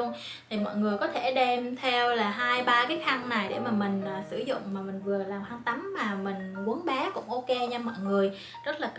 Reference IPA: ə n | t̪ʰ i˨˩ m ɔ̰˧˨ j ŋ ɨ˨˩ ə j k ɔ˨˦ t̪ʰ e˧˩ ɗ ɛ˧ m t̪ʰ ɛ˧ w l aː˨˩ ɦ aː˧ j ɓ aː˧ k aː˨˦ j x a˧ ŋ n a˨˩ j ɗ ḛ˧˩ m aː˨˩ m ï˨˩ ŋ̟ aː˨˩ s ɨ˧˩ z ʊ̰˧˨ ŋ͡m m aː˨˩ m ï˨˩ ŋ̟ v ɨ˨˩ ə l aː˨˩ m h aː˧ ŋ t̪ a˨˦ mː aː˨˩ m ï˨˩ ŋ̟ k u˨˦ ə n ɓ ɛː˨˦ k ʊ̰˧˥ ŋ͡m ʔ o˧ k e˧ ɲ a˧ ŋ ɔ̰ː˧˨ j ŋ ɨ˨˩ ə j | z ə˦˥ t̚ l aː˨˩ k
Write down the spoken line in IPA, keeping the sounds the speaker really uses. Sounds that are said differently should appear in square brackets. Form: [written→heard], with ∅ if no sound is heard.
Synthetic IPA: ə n | t̪ʰ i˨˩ m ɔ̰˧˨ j ŋ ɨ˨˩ ə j k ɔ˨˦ t̪ʰ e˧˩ ɗ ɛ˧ m t̪ʰ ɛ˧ w l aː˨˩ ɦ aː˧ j ɓ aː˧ k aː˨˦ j x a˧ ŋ n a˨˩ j ɗ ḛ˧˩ m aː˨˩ m ï˨˩ ŋ̟ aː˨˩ s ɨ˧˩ z ʊ̰˧˨ ŋ͡m m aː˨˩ m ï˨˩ ŋ̟ v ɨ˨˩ ə l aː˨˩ m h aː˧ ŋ t̪ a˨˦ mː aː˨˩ m ï˨˩ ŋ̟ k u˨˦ ə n ɓ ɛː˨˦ k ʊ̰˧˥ ŋ͡m ʔ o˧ k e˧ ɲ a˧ [ŋ→m] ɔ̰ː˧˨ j ŋ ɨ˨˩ ə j | z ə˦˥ t̚ l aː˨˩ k